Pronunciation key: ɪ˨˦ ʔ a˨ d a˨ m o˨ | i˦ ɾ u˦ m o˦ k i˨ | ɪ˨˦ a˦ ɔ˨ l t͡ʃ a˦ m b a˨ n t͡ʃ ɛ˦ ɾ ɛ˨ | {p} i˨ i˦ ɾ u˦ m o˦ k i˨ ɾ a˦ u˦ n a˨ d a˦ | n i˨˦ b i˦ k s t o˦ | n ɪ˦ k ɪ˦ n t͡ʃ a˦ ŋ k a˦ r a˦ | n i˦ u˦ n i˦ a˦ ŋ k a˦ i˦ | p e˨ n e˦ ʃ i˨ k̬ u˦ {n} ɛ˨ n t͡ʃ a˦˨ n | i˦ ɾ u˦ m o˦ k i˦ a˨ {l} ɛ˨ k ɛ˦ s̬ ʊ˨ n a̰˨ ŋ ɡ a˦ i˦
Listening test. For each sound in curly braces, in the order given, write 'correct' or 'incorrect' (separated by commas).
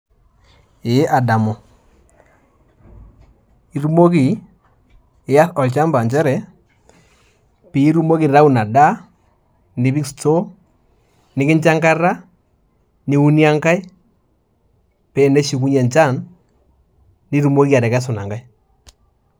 correct, incorrect, incorrect